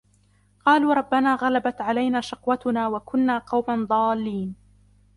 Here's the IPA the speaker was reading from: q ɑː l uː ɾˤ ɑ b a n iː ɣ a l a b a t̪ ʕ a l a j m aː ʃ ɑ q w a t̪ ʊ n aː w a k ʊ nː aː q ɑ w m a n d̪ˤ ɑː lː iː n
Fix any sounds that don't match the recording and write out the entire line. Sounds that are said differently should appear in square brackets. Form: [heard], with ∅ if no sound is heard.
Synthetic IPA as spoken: q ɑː l uː ɾˤ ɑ [bː] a n [aː] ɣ a l a b a t̪ ʕ a l a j [n] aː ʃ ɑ q w a t̪ ʊ n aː w a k ʊ nː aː q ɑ w m a n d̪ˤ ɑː lː iː n